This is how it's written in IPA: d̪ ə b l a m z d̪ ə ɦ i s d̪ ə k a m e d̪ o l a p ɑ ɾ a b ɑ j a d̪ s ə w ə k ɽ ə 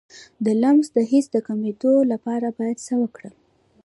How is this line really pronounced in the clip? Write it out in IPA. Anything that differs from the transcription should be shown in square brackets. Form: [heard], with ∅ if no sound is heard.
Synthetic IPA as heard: d̪ ə [∅] l a m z d̪ ə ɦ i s d̪ ə k a m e d̪ o l a p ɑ ɾ a b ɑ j a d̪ s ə w ə k ɽ ə